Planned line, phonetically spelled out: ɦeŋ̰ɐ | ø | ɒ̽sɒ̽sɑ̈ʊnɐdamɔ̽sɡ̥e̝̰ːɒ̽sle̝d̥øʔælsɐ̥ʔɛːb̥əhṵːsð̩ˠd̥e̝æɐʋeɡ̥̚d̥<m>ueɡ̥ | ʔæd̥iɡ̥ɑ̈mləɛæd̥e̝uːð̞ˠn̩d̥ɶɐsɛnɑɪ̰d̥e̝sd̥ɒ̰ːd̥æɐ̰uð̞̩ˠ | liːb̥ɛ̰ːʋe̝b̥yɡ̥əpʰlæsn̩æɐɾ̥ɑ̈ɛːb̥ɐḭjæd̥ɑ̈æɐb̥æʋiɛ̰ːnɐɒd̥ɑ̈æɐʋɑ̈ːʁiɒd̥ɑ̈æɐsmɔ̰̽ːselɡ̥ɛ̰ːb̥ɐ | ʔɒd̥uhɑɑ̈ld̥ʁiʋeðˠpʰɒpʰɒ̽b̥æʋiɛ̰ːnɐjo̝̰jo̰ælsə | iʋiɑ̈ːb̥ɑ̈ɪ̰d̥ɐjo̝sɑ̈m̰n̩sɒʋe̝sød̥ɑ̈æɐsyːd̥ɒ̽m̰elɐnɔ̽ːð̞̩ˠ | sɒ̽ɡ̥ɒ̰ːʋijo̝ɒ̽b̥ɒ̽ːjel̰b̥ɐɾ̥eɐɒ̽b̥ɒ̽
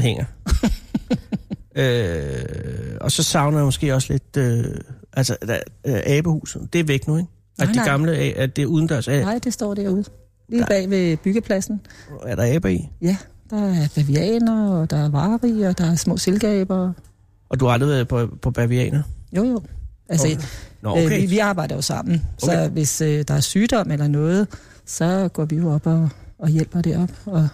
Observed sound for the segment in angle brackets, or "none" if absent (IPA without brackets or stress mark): n